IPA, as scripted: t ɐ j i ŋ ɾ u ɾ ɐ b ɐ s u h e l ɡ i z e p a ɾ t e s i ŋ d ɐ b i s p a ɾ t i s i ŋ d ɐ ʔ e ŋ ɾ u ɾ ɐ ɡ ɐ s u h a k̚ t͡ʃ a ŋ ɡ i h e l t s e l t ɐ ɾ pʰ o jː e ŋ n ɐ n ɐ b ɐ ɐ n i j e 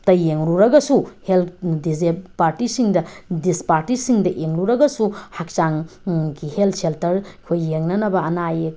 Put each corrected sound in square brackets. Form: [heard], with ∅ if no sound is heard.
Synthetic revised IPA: t ɐ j [e] ŋ ɾ u ɾ ɐ [ɡ] ɐ s u h e l [d] i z e p a ɾ t [i] s i ŋ d ɐ [d] i s p a ɾ t i s i ŋ d ɐ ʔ e ŋ ɾ u ɾ ɐ ɡ ɐ s u h a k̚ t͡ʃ a ŋ ɡ i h e l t s e l t ɐ ɾ [kʰ] o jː e ŋ n ɐ n ɐ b ɐ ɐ n [a] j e

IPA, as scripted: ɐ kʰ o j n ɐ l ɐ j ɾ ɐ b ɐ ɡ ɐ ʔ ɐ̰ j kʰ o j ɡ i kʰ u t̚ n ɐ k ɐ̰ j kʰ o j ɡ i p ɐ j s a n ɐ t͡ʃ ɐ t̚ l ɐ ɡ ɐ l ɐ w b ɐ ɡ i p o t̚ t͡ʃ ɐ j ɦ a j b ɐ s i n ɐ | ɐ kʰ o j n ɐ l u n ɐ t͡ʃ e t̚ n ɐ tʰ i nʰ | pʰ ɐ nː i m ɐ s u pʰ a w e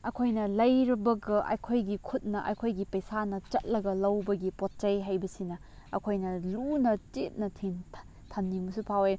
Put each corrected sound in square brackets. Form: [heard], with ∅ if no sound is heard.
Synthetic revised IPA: ɐ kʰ o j n ɐ l ɐ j ɾ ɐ b ɐ ɡ ɐ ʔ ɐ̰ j kʰ o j ɡ i kʰ u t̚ n ɐ [ʔ] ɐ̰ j kʰ o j ɡ i p ɐ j s a n ɐ t͡ʃ ɐ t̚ l ɐ ɡ ɐ l ɐ w b ɐ ɡ i p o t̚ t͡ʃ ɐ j ɦ a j b ɐ s i n ɐ | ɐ kʰ o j n ɐ l u n ɐ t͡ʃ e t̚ n ɐ tʰ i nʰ | [tʰ] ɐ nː i m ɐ s u pʰ a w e

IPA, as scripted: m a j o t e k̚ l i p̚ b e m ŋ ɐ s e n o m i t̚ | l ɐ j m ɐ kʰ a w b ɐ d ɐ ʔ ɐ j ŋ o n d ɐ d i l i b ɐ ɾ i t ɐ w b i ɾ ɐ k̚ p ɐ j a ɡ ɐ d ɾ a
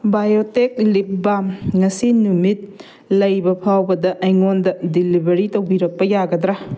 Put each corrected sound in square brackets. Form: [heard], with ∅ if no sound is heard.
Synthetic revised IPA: [b] a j o t e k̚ l i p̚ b [a] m ŋ ɐ s [i] n [u] m i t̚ | l ɐ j [b] ɐ [pʰ] a w b ɐ d ɐ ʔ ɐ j ŋ o n d ɐ d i l i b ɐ ɾ i t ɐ w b i ɾ ɐ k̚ p ɐ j a ɡ ɐ d ɾ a

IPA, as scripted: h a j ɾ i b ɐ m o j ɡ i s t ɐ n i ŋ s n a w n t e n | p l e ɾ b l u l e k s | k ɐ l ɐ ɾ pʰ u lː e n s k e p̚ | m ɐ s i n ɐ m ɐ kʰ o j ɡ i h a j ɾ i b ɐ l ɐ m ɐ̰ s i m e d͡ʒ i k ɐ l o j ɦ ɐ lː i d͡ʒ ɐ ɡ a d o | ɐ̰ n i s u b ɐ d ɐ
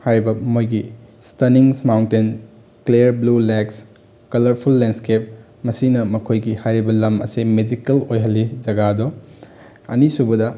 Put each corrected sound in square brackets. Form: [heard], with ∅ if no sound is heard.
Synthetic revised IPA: h a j ɾ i b ɐ m o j ɡ i s t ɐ n i ŋ s [m] a w n t e n | [k] l e ɾ b l u l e k s | k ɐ l ɐ ɾ pʰ u lː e n s k e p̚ | m ɐ s i n ɐ m ɐ kʰ o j ɡ i h a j ɾ i b ɐ l ɐ m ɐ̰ s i m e d͡ʒ i k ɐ l o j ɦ ɐ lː i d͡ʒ ɐ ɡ a d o | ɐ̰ n i s u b ɐ d ɐ

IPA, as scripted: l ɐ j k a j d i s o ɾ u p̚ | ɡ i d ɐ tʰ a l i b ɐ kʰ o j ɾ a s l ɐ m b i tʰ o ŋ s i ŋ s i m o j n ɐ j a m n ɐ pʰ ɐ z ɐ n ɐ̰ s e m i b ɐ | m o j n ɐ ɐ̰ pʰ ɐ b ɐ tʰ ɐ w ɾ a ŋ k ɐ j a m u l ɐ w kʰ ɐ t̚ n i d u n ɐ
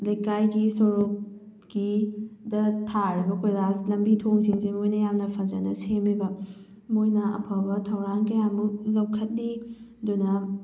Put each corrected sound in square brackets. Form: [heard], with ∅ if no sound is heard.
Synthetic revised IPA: l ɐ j k a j [ɡ] i s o ɾ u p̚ | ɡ i d ɐ tʰ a [ɾ] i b ɐ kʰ o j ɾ a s l ɐ m b i tʰ o ŋ s i ŋ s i m o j n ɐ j a m n ɐ pʰ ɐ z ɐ n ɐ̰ s e m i b ɐ | m o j n ɐ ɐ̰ pʰ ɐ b ɐ tʰ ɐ w ɾ a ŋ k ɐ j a m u l ɐ w kʰ ɐ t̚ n i d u n ɐ

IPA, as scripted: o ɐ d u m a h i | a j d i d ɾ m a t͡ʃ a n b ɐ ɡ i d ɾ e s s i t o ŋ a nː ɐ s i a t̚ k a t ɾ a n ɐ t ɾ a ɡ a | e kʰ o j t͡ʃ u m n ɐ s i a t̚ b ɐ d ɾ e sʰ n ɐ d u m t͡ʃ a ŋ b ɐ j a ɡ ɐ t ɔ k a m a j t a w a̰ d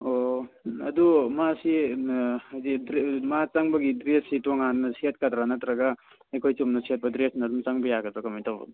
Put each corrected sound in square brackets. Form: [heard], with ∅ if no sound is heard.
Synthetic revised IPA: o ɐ d u m a [s] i | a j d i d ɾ m a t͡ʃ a [ŋ] b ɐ ɡ i d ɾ e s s i t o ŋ a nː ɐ s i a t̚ k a t ɾ a n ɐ t ɾ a ɡ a | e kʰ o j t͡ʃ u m n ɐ s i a t̚ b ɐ d ɾ e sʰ n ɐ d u m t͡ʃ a ŋ b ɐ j a ɡ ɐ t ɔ k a m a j t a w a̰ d

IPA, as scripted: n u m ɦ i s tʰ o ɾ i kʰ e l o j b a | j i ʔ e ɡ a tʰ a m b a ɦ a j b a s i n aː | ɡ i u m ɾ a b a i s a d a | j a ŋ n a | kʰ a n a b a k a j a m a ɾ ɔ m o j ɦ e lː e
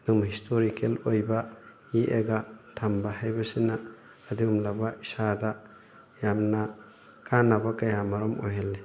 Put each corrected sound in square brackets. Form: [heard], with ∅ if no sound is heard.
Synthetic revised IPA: n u m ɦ i s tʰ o ɾ i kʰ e l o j b a | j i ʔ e ɡ a tʰ a m b a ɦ a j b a s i n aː | [d] i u m [l] a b a i s a d a | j a [m] n a | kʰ a n a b a k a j a m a ɾ ɔ m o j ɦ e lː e

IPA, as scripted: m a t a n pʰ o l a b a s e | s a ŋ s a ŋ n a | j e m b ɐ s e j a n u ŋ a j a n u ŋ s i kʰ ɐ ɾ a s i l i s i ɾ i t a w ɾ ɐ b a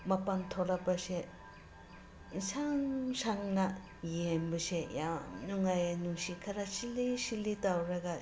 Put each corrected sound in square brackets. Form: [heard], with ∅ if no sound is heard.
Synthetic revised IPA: m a [p] a n [tʰ] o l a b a s e | s a ŋ s a ŋ n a | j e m b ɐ s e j a n u ŋ a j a n u ŋ s i kʰ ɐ ɾ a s i l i s i [l] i t a w ɾ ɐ [ɡ] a

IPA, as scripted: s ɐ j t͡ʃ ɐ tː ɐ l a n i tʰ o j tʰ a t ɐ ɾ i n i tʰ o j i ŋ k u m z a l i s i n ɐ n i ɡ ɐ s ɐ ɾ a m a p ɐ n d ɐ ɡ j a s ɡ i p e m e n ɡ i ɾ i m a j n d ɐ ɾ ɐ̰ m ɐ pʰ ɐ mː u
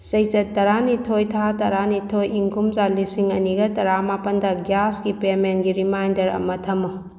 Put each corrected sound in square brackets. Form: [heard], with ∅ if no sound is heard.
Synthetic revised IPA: s ɐ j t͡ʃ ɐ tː ɐ [ɾ] a n i tʰ o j tʰ a t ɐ ɾ [a] n i tʰ o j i ŋ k u m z a l i s i [ŋ] ɐ n i ɡ ɐ [t] ɐ ɾ a m a p ɐ n d ɐ ɡ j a s ɡ i p e m e n ɡ i ɾ i m a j n d ɐ ɾ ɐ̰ m ɐ [tʰ] ɐ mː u

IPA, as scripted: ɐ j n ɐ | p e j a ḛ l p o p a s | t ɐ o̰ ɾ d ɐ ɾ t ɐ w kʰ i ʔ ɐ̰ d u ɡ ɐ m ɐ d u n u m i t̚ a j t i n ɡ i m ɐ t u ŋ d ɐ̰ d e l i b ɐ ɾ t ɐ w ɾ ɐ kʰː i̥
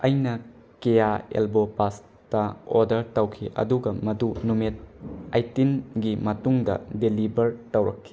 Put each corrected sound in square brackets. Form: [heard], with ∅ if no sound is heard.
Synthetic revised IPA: ɐ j n ɐ | [k] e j a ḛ l [b] o p a s | t ɐ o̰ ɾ d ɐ ɾ t ɐ w kʰ i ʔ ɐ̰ d u ɡ ɐ m ɐ d u n u m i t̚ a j t i n ɡ i m ɐ t u ŋ d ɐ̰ d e l i b ɐ ɾ t ɐ w ɾ ɐ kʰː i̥

